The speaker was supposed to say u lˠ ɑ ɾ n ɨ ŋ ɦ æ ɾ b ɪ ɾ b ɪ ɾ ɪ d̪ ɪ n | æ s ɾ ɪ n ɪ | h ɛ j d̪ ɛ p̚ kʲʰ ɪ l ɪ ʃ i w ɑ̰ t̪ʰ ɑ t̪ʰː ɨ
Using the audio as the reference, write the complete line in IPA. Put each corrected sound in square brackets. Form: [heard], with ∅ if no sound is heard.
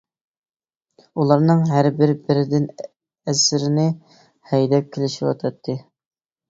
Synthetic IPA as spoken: u lˠ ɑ ɾ n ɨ ŋ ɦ æ ɾ b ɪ ɾ b ɪ ɾ ɪ d̪ ɪ n | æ s ɾ ɪ n ɪ | h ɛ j d̪ ɛ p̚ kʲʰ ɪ l ɪ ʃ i w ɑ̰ t̪ʰ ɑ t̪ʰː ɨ